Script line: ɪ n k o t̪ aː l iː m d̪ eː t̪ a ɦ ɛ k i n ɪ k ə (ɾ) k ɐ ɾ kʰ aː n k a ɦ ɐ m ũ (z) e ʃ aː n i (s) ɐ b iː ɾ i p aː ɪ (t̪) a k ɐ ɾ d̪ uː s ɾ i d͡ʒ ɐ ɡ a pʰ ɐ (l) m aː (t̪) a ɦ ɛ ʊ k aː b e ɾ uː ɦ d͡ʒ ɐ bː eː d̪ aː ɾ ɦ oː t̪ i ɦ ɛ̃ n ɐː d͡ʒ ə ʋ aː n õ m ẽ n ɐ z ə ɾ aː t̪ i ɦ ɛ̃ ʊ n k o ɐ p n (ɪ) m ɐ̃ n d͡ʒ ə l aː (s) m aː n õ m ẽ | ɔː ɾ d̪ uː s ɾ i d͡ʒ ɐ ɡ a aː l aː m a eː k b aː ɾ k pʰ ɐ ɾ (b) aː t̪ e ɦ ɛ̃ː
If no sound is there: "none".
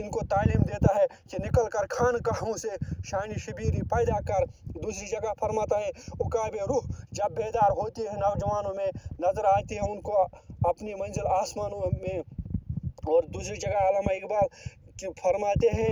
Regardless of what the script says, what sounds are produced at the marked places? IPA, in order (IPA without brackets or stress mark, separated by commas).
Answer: l, s, ʃ, d̪, ɾ, t̪, i, s, m